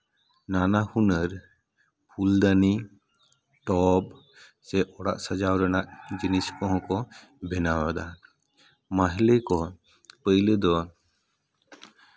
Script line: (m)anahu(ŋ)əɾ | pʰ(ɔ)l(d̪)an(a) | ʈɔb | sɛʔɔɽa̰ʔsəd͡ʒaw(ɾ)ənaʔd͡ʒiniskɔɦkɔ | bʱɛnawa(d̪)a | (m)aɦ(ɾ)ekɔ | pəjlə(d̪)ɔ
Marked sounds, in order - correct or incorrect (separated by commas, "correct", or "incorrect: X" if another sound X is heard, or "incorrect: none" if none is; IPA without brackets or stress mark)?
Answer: incorrect: n, incorrect: n, incorrect: u, correct, incorrect: i, correct, correct, correct, incorrect: l, correct